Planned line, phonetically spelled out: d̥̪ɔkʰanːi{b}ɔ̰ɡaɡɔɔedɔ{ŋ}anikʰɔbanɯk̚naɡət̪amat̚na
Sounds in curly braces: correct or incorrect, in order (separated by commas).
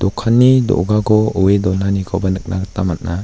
incorrect, incorrect